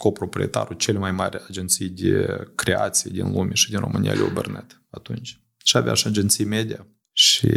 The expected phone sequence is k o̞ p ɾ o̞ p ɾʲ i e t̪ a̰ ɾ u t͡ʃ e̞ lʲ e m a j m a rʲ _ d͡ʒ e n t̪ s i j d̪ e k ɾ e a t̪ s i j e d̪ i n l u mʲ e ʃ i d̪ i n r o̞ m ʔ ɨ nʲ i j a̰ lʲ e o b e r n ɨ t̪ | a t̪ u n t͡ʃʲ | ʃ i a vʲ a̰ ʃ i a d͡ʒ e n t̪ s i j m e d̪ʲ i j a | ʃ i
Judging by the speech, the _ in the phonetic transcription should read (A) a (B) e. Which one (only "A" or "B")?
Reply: A